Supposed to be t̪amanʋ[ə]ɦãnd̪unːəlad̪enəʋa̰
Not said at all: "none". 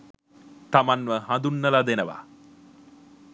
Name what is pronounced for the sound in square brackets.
ə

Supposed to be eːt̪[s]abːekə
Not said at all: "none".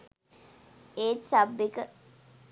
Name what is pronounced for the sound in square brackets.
s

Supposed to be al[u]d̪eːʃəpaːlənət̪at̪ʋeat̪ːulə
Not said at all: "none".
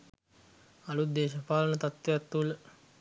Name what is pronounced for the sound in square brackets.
u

